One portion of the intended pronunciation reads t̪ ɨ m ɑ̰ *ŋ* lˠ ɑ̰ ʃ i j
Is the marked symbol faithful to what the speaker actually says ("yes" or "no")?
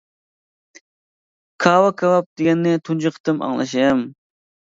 yes